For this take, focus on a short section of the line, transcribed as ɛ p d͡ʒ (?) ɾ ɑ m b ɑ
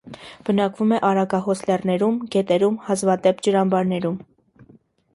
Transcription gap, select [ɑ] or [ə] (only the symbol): ə